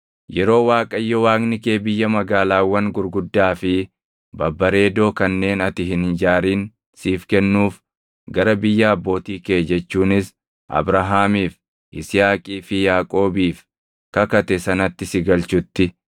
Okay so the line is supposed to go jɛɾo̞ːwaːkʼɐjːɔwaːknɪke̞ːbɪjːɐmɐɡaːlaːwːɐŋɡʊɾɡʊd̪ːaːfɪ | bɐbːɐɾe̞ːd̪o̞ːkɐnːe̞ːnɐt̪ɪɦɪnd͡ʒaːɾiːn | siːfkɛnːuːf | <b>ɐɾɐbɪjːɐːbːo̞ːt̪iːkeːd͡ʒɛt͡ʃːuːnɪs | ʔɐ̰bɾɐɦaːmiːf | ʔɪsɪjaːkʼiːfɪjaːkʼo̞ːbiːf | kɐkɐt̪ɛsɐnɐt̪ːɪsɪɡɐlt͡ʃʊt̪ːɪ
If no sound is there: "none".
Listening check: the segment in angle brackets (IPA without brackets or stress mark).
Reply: ɡ